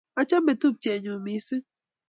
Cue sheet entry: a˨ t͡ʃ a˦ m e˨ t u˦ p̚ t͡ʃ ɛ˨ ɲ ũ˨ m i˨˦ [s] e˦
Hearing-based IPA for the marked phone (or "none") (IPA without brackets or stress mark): s